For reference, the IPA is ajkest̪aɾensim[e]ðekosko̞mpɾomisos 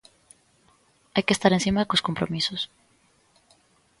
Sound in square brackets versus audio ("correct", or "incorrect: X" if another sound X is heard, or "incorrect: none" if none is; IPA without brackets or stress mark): incorrect: a